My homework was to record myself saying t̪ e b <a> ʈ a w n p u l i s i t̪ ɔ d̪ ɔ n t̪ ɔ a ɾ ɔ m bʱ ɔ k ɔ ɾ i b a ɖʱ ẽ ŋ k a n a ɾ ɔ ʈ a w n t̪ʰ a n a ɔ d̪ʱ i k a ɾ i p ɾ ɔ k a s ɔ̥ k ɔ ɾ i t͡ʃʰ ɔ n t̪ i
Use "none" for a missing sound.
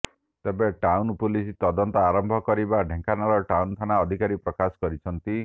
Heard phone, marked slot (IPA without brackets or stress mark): e